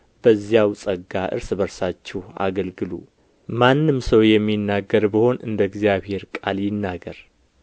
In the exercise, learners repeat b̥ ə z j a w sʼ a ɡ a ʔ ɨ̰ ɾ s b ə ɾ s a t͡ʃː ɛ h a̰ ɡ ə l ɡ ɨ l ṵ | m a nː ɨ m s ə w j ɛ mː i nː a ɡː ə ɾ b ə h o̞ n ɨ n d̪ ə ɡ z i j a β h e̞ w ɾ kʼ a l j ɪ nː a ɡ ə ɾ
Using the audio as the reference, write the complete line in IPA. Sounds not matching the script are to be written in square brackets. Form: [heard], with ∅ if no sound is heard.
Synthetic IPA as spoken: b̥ ə z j a w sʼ [ə] ɡ a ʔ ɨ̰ ɾ s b ə ɾ s a t͡ʃː ɛ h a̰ ɡ ə l ɡ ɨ l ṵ | m a nː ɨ m s ə w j ɛ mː i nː a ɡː ə ɾ b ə h o̞ n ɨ n d̪ ə ɡ z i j a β h e̞ [∅] ɾ kʼ a l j ɪ nː a ɡ ə ɾ